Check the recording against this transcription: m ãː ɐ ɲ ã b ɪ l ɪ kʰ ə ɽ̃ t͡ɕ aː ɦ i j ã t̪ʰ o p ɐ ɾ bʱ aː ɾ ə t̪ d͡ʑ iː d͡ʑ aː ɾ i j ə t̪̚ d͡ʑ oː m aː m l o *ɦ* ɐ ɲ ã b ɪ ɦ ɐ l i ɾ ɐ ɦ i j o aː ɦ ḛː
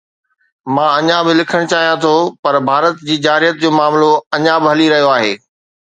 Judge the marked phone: incorrect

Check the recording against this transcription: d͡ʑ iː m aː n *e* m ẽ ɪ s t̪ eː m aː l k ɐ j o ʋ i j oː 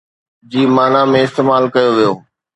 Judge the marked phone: incorrect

